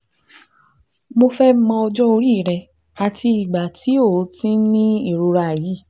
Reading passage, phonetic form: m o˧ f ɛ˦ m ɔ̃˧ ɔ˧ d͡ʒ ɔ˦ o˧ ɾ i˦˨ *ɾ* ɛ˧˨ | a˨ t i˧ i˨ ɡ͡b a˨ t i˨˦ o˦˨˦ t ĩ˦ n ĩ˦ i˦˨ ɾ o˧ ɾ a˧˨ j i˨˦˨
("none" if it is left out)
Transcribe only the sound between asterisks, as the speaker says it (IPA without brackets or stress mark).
ɾ